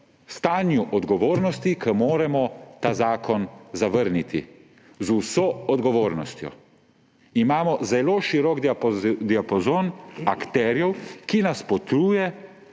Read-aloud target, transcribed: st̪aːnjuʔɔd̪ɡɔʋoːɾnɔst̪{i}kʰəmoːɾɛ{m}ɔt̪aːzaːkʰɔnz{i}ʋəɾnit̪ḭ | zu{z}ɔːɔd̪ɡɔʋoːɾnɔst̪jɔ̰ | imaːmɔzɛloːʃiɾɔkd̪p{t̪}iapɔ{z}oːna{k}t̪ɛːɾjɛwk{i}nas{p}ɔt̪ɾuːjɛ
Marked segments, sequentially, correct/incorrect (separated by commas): correct, correct, incorrect, incorrect, incorrect, correct, correct, correct, correct